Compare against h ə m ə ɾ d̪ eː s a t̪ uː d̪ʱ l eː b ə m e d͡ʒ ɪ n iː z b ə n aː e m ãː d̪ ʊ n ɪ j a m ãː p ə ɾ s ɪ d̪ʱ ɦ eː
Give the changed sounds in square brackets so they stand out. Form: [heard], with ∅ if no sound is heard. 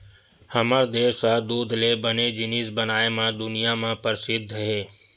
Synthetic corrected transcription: h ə m ə ɾ d̪ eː s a [d̪] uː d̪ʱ l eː b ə [n] e d͡ʒ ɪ n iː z b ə n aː e m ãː d̪ ʊ n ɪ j a m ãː p ə ɾ s ɪ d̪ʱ ɦ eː